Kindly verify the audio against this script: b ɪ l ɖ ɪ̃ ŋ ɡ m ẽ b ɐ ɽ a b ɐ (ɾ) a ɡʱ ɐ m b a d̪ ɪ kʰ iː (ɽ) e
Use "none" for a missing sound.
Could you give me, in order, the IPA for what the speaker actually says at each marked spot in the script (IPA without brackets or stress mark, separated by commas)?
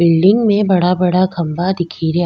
ɽ, ɾ